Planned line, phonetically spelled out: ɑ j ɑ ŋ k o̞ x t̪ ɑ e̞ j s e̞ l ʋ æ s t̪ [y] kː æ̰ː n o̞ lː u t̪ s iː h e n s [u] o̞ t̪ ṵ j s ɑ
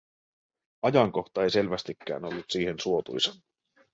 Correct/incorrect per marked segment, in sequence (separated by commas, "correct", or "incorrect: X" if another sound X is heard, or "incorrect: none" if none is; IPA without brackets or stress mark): incorrect: i, correct